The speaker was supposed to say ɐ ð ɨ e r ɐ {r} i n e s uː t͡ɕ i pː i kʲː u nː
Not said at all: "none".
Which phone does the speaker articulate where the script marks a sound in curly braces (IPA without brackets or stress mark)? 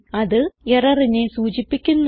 r